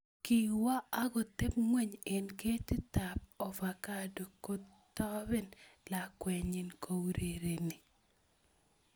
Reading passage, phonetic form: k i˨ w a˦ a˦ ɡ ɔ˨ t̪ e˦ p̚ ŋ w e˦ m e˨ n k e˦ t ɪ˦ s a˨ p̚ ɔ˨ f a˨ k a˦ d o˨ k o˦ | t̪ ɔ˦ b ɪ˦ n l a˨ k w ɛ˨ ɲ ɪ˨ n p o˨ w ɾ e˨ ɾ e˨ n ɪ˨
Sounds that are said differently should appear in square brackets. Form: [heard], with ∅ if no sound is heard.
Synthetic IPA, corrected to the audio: k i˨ w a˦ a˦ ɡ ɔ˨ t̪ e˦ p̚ ŋ w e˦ [ɲ] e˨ n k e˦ t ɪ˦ [t] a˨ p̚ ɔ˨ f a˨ k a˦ d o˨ k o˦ | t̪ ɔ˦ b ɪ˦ n l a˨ k w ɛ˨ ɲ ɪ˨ n [k] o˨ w ɾ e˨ ɾ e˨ n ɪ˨

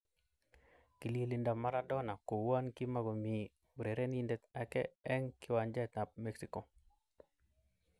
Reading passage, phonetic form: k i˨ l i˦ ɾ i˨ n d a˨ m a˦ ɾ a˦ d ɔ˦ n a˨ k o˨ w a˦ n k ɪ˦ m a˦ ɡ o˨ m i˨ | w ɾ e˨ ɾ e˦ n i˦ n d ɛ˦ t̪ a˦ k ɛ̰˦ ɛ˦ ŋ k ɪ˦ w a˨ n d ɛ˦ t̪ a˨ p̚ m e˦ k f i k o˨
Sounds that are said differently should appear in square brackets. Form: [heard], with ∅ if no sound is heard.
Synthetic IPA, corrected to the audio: k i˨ l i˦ [l] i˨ n d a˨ m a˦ ɾ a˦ d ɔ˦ n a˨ k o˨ w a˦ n k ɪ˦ m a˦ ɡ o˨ m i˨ | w ɾ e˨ ɾ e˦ n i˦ n d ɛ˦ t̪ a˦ k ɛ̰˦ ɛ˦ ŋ k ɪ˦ w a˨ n [d͡ʒ] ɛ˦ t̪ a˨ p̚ m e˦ k [s] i k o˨

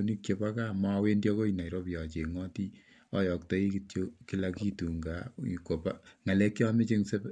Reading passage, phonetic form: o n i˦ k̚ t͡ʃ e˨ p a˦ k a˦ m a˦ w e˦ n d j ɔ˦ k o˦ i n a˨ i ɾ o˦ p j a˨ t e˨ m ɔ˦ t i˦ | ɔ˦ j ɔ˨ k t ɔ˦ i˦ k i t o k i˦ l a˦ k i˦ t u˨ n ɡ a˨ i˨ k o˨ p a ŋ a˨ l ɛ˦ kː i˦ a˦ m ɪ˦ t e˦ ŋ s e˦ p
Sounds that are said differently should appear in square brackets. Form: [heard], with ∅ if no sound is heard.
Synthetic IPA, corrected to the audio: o n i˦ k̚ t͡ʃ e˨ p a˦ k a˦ m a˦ w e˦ n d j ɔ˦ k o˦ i n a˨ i ɾ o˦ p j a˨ [t͡ʃ] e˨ [ŋ] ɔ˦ t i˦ | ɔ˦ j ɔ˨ k t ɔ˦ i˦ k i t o k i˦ l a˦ k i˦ t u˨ [ŋ] ɡ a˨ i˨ k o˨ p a ŋ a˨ l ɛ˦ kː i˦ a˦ m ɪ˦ [t͡ʃ] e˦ ŋ s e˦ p

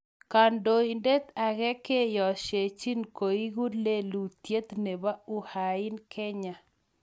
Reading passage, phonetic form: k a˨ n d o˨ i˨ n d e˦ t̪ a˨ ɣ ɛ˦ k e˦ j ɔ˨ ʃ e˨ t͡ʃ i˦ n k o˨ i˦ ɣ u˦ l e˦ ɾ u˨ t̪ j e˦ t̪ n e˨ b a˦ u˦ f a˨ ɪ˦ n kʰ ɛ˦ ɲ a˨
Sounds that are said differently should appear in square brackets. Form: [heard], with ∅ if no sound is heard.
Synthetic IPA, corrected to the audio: k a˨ n d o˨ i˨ n d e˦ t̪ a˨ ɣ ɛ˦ k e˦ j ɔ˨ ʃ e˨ t͡ʃ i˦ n k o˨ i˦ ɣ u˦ l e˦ [l] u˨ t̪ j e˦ t̪ n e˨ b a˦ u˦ [h] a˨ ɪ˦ n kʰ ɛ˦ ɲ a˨

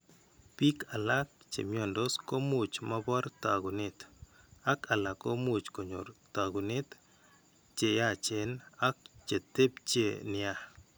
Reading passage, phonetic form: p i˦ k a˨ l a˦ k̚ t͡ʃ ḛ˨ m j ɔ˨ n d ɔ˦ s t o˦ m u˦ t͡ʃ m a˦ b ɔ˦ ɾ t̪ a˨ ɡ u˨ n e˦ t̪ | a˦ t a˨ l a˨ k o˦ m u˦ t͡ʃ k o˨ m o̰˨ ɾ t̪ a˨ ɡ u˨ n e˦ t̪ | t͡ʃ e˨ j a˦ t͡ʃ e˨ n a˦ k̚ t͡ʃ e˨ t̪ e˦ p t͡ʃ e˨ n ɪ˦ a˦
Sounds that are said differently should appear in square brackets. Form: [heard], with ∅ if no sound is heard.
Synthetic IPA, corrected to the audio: p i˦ k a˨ l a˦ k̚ t͡ʃ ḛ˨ m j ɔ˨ n d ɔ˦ s [k] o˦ m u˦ t͡ʃ m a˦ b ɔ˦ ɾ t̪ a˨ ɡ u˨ n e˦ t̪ | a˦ [k] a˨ l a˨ k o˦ m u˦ t͡ʃ k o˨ [ɲ] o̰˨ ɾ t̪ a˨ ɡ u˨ n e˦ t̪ | t͡ʃ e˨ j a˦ t͡ʃ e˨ n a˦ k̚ t͡ʃ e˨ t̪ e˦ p t͡ʃ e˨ n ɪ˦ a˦

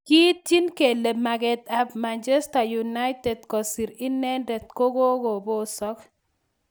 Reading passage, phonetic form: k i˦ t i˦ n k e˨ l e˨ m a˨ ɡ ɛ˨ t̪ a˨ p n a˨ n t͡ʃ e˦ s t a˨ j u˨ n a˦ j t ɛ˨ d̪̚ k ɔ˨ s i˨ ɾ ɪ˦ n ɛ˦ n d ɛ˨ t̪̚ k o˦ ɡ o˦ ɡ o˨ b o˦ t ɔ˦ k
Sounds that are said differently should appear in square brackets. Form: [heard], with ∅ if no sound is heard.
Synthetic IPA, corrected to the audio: k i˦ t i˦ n k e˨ l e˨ m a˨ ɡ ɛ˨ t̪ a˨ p [m] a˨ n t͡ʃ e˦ s t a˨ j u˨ n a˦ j t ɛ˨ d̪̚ k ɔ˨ s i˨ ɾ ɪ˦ n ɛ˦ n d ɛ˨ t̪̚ k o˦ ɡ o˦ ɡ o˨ b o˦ [s] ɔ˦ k

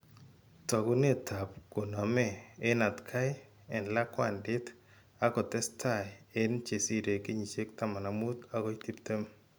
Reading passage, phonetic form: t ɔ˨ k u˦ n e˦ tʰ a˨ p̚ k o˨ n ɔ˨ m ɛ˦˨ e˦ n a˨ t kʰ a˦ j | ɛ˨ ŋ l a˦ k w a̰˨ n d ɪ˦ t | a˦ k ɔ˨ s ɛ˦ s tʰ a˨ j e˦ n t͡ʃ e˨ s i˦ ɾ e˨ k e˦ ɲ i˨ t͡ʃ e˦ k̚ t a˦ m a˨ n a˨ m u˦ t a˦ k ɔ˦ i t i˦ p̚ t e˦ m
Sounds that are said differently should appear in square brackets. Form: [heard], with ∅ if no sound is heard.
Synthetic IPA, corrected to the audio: t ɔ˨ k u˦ n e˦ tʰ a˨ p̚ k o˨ n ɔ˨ m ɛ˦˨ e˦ n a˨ t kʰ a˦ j | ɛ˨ [n] l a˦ k w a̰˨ n d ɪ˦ t | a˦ k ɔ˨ [t] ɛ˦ s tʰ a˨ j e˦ n t͡ʃ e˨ s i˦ ɾ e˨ k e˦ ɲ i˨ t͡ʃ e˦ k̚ t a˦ m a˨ n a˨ m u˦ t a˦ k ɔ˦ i t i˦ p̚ t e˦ m

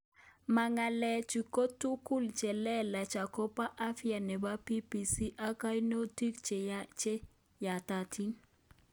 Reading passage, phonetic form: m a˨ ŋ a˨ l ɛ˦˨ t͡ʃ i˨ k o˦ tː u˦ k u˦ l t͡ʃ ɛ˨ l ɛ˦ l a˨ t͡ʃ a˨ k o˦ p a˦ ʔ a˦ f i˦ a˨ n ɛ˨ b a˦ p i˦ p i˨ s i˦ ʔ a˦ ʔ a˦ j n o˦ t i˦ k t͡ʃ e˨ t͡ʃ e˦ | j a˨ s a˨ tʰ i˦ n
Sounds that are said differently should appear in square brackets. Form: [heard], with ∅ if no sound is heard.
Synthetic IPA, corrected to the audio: m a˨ ŋ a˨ l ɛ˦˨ t͡ʃ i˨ k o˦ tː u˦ k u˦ l t͡ʃ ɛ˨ l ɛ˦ l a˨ t͡ʃ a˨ k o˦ p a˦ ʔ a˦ f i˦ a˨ n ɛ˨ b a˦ p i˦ p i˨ s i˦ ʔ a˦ [k] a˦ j n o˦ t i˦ k t͡ʃ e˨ t͡ʃ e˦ | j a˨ [t] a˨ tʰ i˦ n

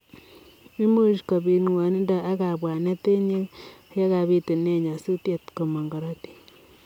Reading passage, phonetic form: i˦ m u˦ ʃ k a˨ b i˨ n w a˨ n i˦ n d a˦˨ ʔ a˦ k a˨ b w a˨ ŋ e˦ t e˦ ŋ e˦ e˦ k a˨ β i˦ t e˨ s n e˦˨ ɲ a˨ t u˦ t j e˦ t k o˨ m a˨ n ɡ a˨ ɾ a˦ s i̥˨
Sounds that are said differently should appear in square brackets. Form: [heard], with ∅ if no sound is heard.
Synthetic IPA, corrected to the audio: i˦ m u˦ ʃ k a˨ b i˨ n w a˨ n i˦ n d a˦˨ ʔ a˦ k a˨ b w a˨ [n] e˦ t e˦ [ɲ] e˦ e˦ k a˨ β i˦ t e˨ [∅] n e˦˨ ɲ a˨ [s] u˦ t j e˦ t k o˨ m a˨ [ŋ] ɡ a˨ ɾ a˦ [t] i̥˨

